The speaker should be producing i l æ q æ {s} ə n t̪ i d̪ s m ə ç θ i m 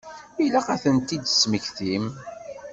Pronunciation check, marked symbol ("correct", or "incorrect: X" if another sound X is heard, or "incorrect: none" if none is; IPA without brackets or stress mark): incorrect: θ